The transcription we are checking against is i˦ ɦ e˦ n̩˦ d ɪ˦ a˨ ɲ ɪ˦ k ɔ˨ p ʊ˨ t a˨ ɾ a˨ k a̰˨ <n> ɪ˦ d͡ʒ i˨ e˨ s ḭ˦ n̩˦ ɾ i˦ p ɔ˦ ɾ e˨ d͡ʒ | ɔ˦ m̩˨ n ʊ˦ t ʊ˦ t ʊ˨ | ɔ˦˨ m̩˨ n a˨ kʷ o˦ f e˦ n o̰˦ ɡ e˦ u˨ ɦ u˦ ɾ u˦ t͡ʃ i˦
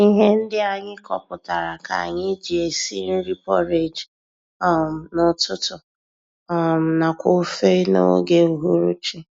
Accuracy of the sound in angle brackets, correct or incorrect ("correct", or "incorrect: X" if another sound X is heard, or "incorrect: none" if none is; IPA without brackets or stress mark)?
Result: incorrect: ɲ